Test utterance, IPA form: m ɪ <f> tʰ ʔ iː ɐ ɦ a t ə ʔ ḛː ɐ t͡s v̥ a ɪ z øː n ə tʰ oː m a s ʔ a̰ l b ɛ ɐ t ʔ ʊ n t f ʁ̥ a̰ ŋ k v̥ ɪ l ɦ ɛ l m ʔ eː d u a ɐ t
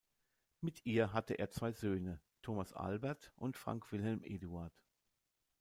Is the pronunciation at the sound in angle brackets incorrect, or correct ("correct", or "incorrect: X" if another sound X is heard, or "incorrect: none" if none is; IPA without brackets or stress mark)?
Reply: incorrect: none